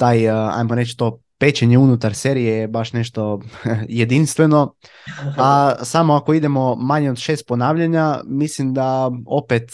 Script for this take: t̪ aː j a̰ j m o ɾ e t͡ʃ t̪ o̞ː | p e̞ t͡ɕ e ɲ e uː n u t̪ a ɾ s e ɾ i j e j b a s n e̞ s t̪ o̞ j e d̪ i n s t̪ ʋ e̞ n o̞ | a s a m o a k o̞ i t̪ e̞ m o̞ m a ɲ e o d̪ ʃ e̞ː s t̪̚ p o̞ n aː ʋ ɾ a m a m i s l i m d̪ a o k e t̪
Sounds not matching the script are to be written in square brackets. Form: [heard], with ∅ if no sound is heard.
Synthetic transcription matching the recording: t̪ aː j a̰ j m o ɾ e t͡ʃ t̪ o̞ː | p e̞ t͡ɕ e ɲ e [u] n u t̪ a ɾ s e ɾ i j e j b a [ʃ] n e̞ [ʃ] t̪ o̞ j e d̪ i n s t̪ ʋ e̞ n o̞ | a s a m o a k o̞ i [d̪] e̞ m o̞ m a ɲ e o d̪ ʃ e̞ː s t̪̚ p o̞ n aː ʋ [ʎ] a [ɲ] a m i s l i m d̪ a o [p] e t̪